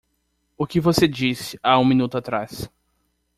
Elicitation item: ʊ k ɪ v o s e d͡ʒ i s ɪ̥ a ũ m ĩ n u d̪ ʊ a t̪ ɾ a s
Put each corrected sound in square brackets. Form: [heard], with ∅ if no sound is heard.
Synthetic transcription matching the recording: ʊ k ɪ v o s e d͡ʒ i s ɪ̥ a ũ m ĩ n u [t̪] ʊ a t̪ ɾ a s